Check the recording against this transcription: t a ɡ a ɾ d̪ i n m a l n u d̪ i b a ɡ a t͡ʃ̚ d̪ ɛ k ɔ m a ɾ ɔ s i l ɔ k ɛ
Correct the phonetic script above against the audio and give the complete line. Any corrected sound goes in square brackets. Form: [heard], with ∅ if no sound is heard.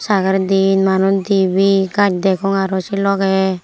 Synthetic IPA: [s] a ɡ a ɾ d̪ i n m a [∅] n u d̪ i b [i] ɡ a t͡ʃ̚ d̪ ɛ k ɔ [ŋ] a ɾ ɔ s i l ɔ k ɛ